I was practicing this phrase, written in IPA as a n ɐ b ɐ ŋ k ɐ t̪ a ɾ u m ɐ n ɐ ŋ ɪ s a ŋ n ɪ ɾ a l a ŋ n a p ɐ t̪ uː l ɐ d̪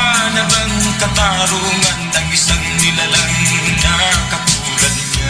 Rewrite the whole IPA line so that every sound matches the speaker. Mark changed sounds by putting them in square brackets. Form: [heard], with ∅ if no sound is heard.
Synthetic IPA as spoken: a n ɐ b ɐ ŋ k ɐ t̪ a ɾ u [ŋ] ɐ n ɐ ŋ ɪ s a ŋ n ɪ [l] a l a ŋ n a [k] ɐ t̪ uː l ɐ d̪